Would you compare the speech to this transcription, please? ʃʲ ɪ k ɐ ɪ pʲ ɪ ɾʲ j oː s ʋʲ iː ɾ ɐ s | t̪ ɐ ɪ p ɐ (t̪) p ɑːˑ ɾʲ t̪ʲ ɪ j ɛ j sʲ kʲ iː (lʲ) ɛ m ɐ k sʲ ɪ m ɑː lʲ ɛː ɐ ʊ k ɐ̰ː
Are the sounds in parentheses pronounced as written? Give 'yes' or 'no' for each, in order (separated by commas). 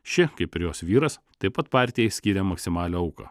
yes, no